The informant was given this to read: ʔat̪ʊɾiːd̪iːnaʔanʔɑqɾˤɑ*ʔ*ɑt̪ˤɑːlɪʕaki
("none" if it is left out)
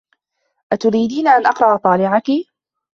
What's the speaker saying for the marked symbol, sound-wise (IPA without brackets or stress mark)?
ʔ